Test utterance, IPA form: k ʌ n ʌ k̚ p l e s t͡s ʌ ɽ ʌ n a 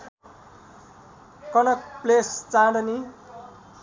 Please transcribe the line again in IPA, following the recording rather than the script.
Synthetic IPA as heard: k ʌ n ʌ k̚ p l e s t͡s a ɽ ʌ n i